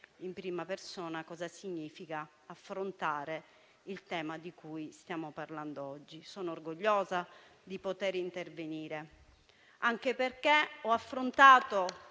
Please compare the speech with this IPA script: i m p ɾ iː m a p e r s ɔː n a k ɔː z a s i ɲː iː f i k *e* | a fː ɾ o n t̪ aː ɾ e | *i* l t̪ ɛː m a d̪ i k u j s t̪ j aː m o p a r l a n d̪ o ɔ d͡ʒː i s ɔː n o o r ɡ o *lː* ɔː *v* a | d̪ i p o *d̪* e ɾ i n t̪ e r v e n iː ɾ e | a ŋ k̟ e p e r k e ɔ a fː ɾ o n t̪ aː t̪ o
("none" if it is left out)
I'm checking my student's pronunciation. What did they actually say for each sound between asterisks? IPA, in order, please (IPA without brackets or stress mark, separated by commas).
a, i, ʎː, z, t̪